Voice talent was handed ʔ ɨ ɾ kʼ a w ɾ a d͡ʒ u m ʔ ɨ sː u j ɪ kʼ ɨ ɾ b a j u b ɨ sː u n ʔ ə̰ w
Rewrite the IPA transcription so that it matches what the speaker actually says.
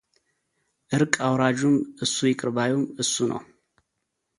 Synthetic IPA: ʔ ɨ ɾ kʼ a w ɾ a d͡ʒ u m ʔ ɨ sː u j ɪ kʼ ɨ ɾ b a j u m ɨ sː u n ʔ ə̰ w